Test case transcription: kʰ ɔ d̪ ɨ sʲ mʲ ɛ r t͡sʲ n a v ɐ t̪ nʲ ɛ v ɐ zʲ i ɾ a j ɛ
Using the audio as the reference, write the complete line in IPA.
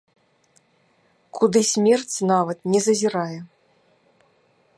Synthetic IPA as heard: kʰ u d̪ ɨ sʲ mʲ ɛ r t͡sʲ n a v ɐ t̪ nʲ ɛ z ɐ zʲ i ɾ a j ɛ